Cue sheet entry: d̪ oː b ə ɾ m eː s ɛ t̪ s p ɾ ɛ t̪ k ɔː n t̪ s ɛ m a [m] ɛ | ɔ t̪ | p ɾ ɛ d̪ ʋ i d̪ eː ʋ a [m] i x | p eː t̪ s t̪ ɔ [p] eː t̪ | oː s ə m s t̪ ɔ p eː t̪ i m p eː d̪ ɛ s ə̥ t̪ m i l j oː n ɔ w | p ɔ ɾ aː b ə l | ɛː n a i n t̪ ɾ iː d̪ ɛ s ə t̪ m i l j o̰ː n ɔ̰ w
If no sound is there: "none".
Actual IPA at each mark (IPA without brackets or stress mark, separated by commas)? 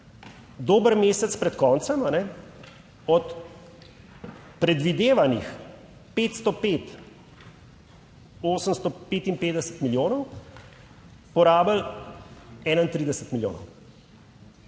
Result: n, n, p